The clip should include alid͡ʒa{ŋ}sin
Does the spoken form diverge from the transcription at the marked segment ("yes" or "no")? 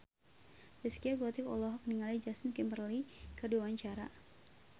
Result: yes